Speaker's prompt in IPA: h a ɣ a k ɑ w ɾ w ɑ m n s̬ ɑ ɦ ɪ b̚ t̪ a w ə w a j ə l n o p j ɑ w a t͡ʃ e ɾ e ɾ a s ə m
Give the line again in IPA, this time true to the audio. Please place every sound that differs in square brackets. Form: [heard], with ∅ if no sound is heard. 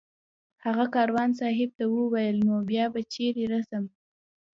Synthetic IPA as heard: h a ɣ a k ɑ [∅] ɾ w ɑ [∅] n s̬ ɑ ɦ ɪ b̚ t̪ a w ə w a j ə l n o [b] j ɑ [b] a t͡ʃ e ɾ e ɾ a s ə m